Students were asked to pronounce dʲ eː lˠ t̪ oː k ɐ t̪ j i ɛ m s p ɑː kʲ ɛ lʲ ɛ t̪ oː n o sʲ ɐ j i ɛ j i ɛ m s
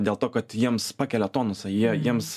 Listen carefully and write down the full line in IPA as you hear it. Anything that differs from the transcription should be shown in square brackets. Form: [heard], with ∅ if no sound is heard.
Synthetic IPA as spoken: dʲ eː lˠ t̪ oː k ɐ t̪ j i ɛ m s p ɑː kʲ ɛ lʲ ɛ t̪ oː n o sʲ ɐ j i ɛ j i ɛ m s